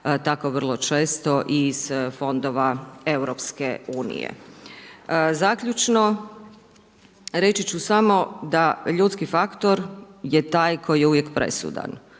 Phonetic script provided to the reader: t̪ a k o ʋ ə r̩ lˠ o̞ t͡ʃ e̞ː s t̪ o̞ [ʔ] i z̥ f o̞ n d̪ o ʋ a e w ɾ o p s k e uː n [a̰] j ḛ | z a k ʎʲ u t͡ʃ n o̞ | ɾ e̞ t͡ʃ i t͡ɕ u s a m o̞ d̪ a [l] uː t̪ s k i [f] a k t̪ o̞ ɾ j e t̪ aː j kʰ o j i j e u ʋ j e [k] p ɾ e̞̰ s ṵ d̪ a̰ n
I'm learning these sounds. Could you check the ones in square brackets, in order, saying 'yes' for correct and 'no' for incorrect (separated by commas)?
yes, no, no, yes, yes